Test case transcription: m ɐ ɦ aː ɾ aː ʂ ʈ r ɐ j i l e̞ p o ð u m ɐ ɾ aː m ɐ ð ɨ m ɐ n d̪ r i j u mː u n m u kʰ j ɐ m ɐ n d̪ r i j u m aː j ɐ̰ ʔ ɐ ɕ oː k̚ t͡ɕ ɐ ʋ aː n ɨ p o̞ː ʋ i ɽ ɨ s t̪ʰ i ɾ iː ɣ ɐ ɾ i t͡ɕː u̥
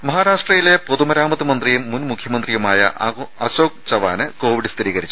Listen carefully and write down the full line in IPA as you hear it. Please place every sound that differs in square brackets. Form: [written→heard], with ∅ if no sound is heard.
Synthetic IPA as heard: m ɐ ɦ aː ɾ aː ʂ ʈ r ɐ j i l e̞ p o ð u m ɐ ɾ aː m ɐ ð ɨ m ɐ n d̪ r i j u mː u n m u kʰ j ɐ m ɐ n d̪ r i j u m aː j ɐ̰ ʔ ɐ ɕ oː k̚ t͡ɕ ɐ ʋ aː n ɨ [p→k] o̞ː ʋ i ɽ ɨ s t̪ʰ i ɾ iː ɣ ɐ ɾ i t͡ɕː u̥